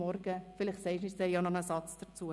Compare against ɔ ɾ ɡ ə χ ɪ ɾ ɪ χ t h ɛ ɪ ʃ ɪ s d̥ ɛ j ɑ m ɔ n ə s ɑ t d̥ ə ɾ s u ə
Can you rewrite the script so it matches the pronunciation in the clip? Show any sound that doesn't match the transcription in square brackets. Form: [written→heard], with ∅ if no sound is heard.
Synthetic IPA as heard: ɔ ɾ ɡ ə [χ→f] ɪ [ɾ→l] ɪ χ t [h→s] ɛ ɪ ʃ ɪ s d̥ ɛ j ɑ [m→n] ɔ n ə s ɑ [t→t͡s] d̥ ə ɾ [s→t͡s] u ə

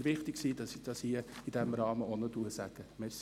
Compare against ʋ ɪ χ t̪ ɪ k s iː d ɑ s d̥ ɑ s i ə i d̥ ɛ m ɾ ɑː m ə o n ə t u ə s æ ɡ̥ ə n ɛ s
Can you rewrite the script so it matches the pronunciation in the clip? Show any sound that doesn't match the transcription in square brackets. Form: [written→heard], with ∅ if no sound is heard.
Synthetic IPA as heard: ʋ ɪ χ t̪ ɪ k s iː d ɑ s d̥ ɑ s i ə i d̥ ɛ m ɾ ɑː m ə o n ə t u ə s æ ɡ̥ ə [n→m] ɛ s

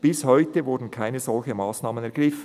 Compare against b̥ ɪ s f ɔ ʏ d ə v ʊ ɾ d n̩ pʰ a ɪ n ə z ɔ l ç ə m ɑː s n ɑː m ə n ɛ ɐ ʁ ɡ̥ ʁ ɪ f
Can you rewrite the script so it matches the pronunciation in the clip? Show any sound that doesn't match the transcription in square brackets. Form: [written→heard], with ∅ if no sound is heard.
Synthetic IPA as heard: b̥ ɪ s [f→h] ɔ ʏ [d→t] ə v ʊ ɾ d n̩ [pʰ→kʰ] a ɪ n ə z ɔ l ç ə m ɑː s n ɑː m ə n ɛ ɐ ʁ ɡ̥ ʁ ɪ f

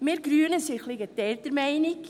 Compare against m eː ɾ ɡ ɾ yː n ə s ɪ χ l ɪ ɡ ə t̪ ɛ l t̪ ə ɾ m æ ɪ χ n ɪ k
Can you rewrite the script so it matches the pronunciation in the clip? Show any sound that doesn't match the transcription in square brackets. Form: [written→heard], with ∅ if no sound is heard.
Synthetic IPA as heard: m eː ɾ ɡ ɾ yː n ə s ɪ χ l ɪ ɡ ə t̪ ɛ l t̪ ə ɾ m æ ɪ [χ→∅] n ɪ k

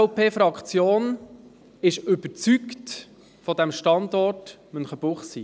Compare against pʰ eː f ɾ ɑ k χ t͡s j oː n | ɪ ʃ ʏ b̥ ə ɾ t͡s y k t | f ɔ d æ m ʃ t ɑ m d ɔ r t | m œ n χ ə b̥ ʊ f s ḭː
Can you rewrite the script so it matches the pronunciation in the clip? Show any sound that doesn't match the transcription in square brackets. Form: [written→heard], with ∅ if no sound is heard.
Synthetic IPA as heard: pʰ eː f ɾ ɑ k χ t͡s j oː n | ɪ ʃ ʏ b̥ ə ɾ t͡s y k t | f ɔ d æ m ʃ t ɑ [m→n] d ɔ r t | m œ n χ ə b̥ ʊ [f→χ] s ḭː

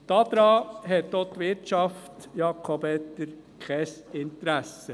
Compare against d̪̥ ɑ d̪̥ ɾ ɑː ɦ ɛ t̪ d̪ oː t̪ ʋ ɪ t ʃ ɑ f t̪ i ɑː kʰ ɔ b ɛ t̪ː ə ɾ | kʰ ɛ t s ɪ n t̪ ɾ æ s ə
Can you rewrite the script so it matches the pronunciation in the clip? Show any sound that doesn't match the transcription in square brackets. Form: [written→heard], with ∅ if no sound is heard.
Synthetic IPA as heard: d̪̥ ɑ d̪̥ ɾ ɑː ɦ ɛ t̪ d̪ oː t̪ ʋ ɪ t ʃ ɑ f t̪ [i→j] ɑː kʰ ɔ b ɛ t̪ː ə ɾ | kʰ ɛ [t→∅] s ɪ n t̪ ɾ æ s ə

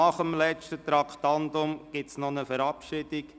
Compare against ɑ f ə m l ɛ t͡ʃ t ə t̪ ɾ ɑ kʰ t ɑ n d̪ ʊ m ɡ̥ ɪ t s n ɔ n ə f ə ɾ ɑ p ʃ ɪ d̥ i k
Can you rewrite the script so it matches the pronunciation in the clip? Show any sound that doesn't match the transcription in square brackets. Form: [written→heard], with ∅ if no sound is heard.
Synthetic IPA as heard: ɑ [f→χ] ə m l ɛ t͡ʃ t ə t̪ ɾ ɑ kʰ t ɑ n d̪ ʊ m ɡ̥ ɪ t s n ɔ n ə f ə ɾ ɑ p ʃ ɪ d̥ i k

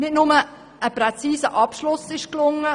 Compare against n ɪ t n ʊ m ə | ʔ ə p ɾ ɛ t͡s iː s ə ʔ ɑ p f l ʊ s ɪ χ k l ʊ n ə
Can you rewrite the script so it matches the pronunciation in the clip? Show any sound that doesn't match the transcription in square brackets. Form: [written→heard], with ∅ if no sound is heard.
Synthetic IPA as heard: n ɪ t n ʊ m ə | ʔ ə p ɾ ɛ t͡s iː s ə ʔ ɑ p [f→ʃ] l ʊ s ɪ [χ→ʃ] k l ʊ [n→ŋ] ə

